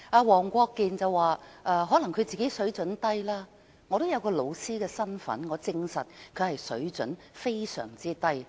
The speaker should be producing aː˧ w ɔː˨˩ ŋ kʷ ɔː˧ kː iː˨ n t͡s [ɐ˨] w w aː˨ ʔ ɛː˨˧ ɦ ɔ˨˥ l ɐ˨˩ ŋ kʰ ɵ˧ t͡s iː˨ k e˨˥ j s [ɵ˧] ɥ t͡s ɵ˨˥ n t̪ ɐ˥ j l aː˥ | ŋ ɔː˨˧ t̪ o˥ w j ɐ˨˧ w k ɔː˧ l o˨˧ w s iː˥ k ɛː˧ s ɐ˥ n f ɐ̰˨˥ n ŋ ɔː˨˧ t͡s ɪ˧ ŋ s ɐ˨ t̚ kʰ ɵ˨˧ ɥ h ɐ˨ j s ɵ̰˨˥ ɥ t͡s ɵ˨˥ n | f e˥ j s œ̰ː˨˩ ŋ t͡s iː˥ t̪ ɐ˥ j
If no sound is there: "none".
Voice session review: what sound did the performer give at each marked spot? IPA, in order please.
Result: ɐ˨, ɵ˨˥

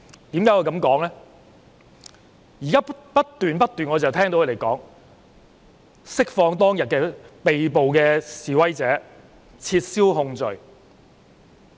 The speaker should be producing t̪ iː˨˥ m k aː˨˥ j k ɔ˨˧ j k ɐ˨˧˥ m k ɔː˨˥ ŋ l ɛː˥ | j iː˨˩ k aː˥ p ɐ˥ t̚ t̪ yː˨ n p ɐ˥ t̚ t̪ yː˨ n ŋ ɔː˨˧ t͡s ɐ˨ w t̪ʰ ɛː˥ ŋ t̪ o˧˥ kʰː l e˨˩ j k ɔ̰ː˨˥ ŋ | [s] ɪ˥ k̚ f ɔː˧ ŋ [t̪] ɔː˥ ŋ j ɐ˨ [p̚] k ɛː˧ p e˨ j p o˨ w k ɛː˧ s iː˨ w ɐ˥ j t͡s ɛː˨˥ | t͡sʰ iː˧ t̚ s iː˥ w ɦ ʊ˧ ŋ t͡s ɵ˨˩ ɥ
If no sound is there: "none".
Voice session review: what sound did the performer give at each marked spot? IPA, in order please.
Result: s, t̪, t̚

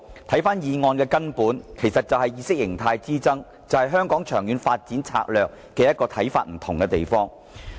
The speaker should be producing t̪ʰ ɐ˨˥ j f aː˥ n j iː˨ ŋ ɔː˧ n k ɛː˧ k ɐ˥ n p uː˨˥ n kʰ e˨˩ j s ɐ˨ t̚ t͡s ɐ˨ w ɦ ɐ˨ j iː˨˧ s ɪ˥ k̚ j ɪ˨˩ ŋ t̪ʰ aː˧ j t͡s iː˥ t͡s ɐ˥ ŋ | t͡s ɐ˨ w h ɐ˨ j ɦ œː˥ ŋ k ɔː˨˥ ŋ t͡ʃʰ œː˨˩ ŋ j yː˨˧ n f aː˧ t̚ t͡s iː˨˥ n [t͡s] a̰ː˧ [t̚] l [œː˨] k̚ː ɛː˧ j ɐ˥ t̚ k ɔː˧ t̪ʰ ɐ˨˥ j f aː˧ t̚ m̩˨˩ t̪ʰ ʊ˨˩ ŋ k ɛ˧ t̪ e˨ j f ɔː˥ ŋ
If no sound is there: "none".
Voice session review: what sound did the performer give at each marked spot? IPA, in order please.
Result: t͡sʰ, k̚, œː˨

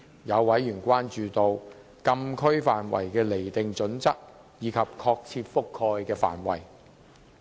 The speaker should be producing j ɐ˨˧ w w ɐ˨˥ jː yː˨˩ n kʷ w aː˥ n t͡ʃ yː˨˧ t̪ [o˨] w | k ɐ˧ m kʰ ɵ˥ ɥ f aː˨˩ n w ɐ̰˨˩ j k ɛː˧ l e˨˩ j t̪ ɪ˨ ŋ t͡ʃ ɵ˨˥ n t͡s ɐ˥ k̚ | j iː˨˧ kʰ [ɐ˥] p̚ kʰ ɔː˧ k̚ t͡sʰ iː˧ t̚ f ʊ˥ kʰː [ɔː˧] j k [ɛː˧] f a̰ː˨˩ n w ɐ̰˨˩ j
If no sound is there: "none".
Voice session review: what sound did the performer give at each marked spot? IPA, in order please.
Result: o˨, ɐ˨, ɔː˧, ɛː˧

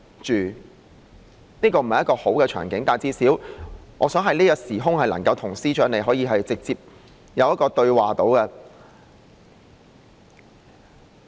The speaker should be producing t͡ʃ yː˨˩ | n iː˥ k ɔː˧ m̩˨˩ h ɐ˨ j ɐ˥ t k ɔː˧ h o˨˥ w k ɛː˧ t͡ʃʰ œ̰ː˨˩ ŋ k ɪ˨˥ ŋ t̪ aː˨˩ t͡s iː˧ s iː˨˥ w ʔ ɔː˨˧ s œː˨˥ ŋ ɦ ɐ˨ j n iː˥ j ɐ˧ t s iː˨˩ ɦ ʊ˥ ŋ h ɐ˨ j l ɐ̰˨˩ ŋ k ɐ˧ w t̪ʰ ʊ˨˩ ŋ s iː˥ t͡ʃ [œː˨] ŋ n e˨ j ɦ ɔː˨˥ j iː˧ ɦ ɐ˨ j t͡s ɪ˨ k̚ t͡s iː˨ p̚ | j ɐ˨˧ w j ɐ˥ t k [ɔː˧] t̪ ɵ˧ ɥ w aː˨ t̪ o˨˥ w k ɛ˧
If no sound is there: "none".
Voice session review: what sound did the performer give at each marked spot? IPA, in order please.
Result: œː˨˥, ɔː˧

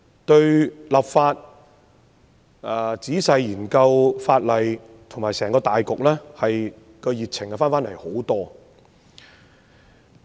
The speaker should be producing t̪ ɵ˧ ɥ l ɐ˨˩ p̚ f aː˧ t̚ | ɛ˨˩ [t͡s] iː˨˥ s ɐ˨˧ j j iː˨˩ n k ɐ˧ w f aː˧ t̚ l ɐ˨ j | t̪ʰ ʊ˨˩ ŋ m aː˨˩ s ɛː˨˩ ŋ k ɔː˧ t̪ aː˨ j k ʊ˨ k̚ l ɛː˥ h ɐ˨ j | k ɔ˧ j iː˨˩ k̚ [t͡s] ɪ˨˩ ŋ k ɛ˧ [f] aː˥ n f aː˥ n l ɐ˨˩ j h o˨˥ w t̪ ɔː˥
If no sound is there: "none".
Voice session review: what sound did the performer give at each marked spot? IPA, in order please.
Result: t͡s, t͡sʰ, f

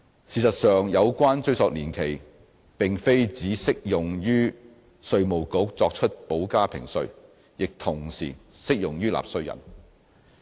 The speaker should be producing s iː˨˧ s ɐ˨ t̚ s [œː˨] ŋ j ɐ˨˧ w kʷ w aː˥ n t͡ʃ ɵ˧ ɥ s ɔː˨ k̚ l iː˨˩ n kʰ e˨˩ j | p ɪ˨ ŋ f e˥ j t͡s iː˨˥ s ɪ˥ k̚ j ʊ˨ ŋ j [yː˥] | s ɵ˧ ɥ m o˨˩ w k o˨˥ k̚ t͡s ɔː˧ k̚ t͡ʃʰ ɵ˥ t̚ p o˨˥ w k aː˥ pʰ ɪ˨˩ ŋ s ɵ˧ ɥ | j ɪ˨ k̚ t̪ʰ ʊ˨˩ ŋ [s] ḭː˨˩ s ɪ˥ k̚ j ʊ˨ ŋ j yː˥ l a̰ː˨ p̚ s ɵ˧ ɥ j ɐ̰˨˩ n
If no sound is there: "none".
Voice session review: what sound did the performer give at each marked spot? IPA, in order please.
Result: œː˨, yː˥, s

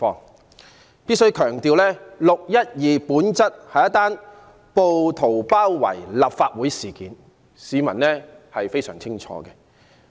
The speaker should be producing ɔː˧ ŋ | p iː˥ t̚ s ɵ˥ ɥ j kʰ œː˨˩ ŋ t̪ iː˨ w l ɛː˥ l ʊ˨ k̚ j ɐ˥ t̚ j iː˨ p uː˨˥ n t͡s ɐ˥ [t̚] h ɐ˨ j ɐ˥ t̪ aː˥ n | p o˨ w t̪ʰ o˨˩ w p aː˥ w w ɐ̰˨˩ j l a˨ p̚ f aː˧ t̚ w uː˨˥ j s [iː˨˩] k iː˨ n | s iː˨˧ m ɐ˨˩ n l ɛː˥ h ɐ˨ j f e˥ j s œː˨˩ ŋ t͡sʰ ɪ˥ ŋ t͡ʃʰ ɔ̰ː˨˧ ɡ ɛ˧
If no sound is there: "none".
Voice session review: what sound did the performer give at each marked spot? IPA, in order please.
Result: t̚, iː˨˩

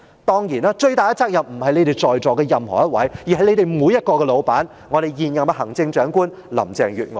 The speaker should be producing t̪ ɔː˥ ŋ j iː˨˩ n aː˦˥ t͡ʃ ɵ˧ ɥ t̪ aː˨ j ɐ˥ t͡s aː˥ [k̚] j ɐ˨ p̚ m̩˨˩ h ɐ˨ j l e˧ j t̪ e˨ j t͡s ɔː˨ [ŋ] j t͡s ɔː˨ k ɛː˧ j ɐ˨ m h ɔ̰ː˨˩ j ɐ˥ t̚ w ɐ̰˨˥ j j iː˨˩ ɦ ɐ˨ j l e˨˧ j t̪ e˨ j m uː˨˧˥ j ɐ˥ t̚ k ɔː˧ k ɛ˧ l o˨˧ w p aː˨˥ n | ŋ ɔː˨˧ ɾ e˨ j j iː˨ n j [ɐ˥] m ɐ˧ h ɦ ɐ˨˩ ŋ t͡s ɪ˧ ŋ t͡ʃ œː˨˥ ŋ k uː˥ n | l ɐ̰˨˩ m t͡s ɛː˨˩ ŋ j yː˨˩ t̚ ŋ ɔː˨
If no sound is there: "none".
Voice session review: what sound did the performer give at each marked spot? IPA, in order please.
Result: k̚, none, ɐ˨

